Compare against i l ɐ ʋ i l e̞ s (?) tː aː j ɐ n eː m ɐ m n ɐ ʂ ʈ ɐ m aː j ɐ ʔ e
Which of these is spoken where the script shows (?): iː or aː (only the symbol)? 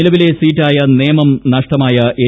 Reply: iː